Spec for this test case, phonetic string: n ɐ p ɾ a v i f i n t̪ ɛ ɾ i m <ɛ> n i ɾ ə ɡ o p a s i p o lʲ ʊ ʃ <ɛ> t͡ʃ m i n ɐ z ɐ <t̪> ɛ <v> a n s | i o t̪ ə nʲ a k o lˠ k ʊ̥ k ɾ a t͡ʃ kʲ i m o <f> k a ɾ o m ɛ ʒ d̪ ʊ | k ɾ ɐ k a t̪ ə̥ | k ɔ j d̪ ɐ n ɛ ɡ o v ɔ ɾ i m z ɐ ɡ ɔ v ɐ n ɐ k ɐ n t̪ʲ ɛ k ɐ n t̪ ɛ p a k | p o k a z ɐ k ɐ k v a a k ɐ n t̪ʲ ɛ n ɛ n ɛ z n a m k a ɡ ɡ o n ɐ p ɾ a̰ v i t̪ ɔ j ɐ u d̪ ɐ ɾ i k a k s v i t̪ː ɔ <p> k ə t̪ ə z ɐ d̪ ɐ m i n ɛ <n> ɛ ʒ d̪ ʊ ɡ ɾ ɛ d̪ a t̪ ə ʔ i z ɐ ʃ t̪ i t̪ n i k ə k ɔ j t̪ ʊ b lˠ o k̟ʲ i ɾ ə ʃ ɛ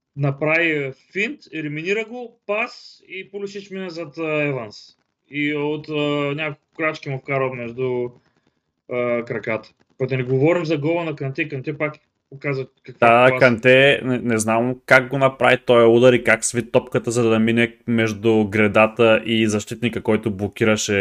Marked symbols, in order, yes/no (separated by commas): no, no, yes, yes, yes, yes, no